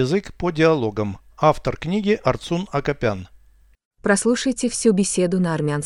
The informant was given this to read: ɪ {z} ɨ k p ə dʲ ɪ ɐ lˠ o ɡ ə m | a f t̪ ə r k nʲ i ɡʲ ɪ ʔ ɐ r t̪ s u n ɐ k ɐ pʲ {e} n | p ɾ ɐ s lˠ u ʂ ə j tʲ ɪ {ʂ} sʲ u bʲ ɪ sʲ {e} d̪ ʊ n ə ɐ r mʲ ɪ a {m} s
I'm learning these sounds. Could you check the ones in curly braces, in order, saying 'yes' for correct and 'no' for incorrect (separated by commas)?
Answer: yes, no, no, yes, no